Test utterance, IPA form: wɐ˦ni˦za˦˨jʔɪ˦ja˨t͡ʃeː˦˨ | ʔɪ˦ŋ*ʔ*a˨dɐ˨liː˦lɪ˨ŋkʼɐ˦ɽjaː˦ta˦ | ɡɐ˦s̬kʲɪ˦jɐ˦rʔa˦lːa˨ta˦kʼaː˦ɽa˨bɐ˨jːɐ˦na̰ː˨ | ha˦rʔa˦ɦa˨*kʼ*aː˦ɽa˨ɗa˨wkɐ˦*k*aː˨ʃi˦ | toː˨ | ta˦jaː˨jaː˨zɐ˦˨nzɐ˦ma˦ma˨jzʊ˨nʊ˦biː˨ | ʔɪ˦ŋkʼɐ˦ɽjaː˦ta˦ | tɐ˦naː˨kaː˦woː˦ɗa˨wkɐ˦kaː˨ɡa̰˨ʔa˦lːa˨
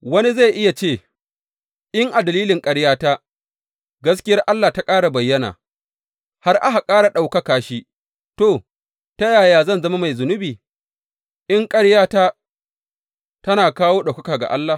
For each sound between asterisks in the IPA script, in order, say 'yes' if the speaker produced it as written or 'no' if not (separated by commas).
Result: yes, yes, yes